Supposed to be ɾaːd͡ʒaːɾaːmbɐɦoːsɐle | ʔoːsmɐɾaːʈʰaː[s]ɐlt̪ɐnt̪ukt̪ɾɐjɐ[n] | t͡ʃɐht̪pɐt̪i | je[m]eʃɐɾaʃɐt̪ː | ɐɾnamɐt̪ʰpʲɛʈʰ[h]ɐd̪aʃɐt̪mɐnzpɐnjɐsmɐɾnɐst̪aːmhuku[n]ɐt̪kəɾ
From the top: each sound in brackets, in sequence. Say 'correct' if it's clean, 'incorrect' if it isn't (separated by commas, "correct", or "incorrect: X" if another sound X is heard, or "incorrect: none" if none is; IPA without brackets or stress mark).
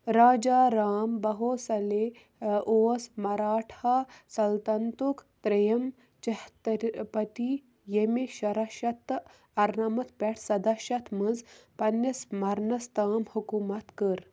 correct, incorrect: m, correct, incorrect: s, incorrect: m